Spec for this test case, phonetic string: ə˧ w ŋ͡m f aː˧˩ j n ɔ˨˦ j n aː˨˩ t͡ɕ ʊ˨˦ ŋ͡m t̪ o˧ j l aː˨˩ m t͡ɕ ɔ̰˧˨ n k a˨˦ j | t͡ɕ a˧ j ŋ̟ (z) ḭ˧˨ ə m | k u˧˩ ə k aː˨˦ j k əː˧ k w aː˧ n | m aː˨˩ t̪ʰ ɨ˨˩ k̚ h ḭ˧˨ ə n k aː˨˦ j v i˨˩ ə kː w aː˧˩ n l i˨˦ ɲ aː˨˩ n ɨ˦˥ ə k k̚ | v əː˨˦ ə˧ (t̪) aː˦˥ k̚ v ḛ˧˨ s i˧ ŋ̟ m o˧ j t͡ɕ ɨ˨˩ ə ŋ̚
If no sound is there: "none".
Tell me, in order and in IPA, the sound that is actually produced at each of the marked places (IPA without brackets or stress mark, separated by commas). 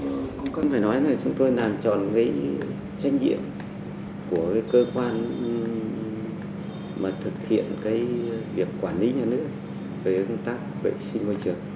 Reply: z, t̪